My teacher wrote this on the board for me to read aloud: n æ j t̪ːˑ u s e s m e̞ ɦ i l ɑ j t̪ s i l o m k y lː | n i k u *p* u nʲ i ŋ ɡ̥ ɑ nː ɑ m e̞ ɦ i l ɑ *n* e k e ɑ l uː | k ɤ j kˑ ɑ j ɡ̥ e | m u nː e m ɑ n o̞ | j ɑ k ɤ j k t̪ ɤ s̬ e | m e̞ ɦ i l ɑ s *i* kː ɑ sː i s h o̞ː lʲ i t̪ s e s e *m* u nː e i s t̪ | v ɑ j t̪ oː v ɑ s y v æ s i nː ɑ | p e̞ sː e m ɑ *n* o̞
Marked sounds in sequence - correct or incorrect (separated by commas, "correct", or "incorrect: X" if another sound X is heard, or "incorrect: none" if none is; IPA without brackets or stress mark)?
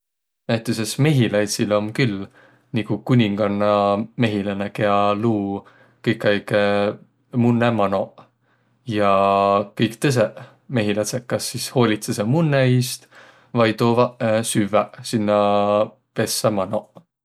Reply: incorrect: k, correct, incorrect: e, correct, correct